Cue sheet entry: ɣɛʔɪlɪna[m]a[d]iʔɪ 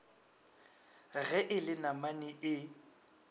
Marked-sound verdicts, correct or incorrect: correct, incorrect: n

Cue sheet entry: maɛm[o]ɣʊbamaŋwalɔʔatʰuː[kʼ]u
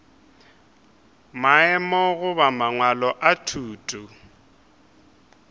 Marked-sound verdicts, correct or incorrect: incorrect: ɔ, incorrect: tʼ

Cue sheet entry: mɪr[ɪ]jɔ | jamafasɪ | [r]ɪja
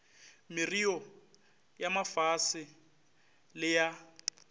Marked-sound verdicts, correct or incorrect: incorrect: i, incorrect: l

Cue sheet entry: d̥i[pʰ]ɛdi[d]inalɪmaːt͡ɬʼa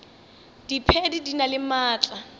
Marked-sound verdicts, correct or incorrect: correct, correct

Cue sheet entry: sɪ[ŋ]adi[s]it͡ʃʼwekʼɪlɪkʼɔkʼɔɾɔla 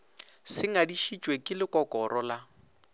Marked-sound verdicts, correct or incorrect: correct, incorrect: ʃ

